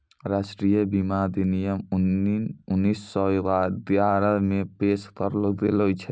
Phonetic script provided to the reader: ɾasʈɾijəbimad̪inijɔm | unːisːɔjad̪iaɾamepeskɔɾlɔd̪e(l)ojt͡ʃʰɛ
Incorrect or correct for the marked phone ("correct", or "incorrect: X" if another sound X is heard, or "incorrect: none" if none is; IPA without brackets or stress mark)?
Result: correct